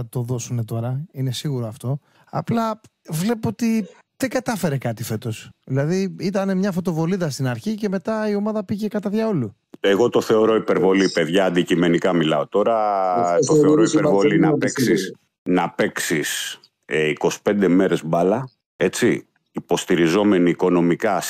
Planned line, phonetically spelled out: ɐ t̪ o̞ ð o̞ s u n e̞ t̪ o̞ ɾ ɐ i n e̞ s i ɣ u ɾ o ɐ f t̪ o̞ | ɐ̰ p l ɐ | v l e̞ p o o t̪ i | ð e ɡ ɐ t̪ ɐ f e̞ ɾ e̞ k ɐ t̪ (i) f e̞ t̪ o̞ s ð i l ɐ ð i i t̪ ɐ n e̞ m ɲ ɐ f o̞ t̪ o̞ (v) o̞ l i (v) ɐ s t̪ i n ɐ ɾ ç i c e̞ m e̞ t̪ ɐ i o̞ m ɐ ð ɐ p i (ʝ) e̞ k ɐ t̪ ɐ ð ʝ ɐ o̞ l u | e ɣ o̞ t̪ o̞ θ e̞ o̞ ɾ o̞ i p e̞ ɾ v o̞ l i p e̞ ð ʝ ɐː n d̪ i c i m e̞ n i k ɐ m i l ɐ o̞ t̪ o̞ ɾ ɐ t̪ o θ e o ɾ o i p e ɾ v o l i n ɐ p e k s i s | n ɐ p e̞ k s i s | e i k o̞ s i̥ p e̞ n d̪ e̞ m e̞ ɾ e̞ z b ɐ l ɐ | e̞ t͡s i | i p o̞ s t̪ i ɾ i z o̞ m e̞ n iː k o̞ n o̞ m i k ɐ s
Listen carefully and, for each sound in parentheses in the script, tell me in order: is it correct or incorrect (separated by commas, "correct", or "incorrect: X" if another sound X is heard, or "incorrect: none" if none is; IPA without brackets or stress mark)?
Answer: correct, correct, incorrect: ð, correct